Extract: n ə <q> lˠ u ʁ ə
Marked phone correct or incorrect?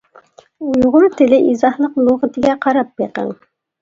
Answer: correct